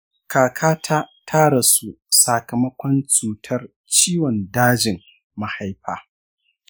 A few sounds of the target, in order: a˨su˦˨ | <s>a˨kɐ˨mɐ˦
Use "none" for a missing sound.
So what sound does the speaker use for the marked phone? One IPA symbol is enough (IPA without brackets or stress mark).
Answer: s